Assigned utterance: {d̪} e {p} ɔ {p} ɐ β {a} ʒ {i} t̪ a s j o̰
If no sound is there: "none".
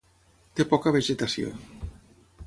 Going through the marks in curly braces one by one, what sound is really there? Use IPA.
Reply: t̪, p, k, e, e

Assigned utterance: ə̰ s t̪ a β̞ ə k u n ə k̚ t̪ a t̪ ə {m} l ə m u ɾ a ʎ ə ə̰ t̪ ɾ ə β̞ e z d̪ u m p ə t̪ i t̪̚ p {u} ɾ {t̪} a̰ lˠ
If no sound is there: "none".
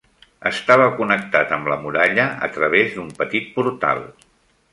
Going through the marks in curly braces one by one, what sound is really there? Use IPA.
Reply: m, u, t̪

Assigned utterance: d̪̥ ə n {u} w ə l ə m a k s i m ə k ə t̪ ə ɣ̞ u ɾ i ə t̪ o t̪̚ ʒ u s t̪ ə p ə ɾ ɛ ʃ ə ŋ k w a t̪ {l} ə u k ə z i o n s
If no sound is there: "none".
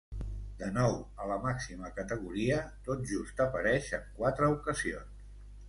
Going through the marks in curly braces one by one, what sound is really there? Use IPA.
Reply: ɔ, ɾ

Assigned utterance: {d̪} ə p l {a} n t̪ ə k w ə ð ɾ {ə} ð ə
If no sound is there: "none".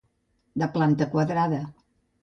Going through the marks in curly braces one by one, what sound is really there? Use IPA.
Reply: d̪, a, a

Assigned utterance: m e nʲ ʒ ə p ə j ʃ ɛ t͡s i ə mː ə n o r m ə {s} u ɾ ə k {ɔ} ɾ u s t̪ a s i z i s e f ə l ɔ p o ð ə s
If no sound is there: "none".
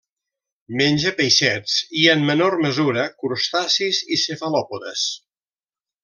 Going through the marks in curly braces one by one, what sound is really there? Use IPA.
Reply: z, u

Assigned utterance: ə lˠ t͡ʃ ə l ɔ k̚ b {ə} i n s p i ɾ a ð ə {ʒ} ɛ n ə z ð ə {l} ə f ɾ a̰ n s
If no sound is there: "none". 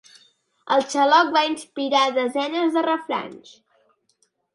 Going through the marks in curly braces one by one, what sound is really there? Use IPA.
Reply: a, z, r

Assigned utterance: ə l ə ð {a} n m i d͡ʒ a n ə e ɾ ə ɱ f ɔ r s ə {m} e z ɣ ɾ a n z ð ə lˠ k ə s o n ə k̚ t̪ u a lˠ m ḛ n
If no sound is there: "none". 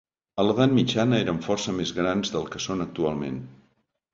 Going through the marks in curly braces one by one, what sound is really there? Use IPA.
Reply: a, m

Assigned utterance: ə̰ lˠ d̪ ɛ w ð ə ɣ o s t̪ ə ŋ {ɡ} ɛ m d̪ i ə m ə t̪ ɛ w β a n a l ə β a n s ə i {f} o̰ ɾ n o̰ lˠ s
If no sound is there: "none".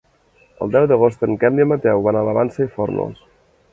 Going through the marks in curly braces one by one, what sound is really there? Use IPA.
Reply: k, f

